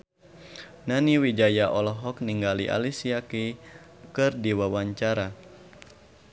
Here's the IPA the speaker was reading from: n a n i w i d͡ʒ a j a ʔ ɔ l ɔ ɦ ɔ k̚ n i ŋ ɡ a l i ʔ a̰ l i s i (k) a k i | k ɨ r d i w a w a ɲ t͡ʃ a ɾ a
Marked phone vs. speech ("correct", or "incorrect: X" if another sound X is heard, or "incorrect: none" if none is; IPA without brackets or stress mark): incorrect: none